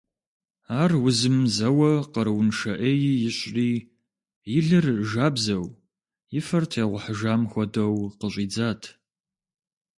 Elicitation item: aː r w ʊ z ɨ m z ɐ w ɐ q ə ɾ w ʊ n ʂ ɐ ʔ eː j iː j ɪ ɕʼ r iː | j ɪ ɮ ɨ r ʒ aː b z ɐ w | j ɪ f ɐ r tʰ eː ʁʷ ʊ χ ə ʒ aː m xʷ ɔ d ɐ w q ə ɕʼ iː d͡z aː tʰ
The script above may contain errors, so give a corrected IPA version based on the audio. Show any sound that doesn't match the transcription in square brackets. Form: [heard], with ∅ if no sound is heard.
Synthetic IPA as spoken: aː r w ʊ z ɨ m z ɐ w ɐ q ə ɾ w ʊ n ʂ ɐ ʔ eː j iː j ɪ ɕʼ r iː | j ɪ ɮ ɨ r ʒ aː b z ɐ w | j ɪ f ɐ r tʰ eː ʁʷ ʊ [ħ] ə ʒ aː m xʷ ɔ d ɐ w q ə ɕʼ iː d͡z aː tʰ